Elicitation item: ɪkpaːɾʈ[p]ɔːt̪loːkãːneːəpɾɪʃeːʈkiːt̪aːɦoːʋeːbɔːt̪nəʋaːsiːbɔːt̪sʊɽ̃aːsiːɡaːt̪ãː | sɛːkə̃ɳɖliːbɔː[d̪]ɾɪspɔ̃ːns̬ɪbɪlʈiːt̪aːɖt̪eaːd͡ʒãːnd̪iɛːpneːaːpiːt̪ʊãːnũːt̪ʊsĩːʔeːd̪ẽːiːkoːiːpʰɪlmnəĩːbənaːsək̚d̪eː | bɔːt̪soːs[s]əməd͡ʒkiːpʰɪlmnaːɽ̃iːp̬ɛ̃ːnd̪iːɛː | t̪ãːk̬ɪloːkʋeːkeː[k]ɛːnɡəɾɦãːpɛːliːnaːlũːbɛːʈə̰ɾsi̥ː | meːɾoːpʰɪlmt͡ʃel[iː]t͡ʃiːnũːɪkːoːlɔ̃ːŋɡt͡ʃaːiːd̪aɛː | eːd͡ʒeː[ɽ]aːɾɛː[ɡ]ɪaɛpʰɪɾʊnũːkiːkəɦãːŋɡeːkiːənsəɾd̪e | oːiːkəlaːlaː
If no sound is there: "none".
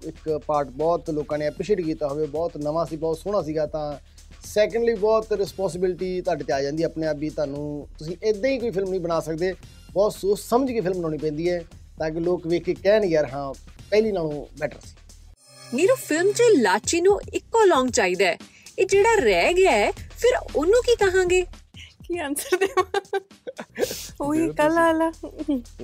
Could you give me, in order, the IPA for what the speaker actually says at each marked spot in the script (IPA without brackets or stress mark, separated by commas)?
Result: b, t̪, s, k, aː, ɽ, ɡ